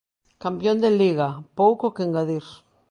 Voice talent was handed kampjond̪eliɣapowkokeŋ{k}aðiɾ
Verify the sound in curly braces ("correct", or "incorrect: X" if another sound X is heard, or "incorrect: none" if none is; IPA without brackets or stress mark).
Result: incorrect: ɡ